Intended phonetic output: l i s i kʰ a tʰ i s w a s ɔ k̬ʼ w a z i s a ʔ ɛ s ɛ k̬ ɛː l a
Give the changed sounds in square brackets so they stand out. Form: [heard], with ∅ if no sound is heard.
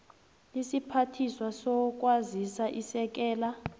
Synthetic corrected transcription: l i s i [pʰ] a tʰ i s w a s ɔ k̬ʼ w a z i s a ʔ [i] s ɛ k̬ ɛː l a